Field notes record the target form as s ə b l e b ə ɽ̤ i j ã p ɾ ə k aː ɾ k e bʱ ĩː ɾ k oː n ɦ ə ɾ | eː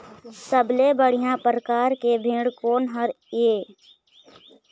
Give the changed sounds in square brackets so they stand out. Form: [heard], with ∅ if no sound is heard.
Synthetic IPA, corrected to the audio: s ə b l e b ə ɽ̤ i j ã p ɾ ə k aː ɾ k e bʱ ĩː [ɽ] k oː n ɦ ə ɾ | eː